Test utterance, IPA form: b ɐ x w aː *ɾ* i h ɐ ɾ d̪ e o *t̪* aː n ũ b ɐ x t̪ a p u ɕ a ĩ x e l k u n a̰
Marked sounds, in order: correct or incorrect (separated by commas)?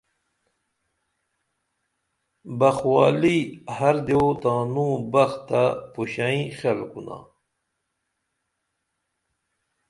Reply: incorrect, correct